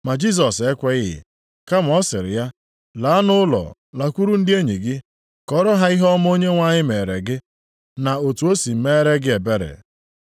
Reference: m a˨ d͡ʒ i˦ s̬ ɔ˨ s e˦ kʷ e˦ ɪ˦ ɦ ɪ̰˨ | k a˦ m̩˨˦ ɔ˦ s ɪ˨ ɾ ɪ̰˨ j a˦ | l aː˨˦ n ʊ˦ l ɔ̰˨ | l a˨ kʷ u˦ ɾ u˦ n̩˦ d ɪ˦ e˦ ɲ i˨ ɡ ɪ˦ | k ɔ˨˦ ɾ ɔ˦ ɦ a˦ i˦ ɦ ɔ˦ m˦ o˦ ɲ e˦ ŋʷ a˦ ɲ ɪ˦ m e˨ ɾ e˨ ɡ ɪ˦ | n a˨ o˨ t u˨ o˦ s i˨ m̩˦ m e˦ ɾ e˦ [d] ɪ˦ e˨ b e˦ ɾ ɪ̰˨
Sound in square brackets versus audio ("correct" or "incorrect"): incorrect